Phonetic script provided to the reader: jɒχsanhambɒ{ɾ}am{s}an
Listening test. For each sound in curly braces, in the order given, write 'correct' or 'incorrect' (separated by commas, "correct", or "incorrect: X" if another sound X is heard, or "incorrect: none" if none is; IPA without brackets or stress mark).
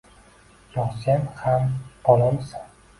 incorrect: l, correct